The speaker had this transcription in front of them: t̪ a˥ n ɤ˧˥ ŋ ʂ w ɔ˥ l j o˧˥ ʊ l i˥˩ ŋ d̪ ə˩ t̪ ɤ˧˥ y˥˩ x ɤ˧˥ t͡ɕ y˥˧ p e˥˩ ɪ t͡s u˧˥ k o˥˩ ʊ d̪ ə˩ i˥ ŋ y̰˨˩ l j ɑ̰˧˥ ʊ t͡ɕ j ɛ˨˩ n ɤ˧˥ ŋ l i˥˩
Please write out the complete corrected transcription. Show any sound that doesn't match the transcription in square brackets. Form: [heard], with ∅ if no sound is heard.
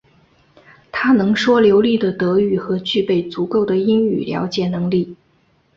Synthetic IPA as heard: [t̪ʰ] a˥ n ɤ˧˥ ŋ ʂ w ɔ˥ l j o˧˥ ʊ l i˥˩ [∅] d̪ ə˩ t̪ ɤ˧˥ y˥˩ x ɤ˧˥ t͡ɕ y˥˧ p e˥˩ ɪ t͡s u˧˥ k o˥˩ ʊ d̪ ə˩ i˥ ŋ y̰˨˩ l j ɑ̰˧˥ ʊ t͡ɕ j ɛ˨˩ n ɤ˧˥ ŋ l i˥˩